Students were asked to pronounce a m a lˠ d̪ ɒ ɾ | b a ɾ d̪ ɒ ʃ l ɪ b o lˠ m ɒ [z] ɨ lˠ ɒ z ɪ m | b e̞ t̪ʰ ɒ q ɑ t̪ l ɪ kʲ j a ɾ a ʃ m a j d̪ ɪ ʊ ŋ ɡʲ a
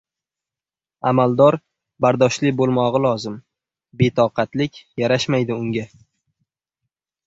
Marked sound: incorrect: ʁ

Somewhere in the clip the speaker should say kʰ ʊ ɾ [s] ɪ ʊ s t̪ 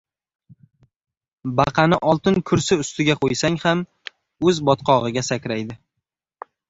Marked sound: correct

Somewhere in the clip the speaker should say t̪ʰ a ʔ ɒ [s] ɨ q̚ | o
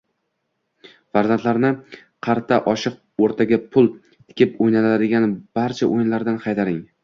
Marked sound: incorrect: ʃ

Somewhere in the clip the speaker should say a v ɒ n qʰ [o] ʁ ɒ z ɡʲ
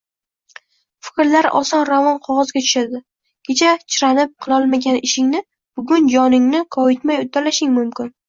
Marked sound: incorrect: ɒ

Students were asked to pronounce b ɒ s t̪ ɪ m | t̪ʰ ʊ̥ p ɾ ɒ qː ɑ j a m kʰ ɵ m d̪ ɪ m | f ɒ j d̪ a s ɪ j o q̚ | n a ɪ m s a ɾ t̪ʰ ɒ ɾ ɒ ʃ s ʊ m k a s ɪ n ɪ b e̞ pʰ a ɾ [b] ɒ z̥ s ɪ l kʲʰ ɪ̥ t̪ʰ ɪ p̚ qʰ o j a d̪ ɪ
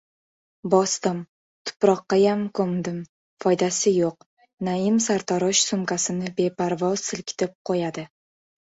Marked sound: incorrect: v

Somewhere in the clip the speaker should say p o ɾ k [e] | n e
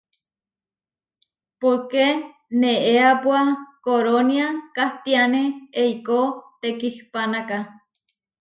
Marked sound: correct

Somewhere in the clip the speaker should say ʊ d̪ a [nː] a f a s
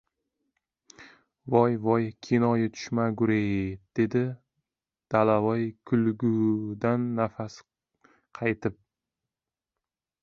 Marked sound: correct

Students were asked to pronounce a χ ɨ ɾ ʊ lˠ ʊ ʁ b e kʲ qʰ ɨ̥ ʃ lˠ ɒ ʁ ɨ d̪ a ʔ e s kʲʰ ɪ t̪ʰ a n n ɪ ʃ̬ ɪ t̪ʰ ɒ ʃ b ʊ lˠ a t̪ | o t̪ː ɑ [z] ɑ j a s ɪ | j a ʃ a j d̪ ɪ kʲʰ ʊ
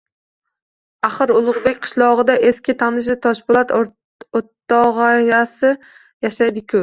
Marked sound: incorrect: ʁ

